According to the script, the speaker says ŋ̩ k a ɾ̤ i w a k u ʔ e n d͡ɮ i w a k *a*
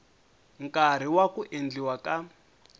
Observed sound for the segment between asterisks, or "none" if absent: a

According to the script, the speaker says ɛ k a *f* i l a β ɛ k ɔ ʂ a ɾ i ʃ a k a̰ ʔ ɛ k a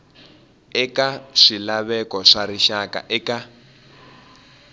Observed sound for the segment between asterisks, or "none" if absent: ʂ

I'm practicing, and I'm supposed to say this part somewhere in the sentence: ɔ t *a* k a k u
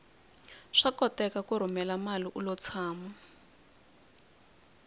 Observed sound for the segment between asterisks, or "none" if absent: ɛ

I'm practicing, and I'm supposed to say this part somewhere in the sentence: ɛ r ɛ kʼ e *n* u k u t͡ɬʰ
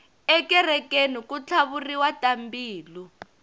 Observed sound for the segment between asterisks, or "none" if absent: n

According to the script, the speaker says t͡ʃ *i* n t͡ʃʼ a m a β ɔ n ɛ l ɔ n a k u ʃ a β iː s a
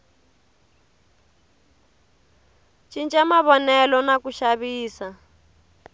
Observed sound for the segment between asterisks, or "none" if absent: i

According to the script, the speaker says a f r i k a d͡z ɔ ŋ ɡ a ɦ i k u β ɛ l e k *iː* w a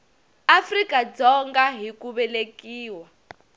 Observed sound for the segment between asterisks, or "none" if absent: iː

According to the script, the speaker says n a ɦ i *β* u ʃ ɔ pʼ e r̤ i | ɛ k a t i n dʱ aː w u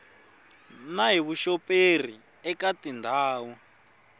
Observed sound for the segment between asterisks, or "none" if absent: β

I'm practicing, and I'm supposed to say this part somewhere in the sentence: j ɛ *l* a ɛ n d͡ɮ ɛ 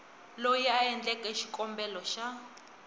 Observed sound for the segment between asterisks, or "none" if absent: none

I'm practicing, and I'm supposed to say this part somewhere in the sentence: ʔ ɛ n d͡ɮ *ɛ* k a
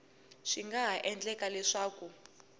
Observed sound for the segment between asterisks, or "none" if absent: ɛ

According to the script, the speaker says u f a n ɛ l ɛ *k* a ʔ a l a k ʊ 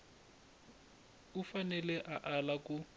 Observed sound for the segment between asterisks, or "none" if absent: ʔ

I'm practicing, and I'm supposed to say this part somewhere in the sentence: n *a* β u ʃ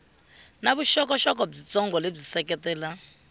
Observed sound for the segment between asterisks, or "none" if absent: a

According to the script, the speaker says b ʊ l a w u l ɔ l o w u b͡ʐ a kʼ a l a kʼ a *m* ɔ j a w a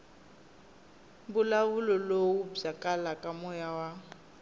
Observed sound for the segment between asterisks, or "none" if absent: m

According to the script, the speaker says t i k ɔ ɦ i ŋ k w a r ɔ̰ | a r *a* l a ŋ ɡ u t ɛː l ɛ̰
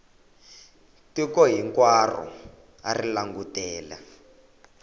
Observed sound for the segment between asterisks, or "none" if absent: i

